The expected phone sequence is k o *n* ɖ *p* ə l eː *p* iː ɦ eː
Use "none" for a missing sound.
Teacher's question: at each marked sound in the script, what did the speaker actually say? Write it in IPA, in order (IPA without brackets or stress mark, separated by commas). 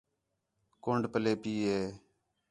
ɳ, p, p